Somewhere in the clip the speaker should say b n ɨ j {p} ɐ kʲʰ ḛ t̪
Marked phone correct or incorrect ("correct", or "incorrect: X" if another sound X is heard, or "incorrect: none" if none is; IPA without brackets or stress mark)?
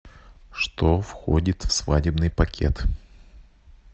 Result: correct